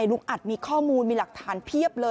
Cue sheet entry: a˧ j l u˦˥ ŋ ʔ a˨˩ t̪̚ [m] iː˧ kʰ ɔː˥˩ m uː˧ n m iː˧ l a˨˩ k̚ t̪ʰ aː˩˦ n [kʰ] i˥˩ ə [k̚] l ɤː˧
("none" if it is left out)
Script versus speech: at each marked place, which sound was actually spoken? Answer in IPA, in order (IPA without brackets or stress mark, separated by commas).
m, pʰ, p̚